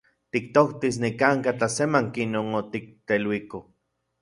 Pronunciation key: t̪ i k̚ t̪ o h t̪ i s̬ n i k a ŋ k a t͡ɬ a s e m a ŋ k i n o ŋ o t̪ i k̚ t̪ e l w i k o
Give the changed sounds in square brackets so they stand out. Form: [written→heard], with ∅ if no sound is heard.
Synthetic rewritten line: t̪ i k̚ t̪ o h t̪ i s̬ n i k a ŋ k a t͡ɬ a s e m a ŋ k i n o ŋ o t̪ i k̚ t̪ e l w i k o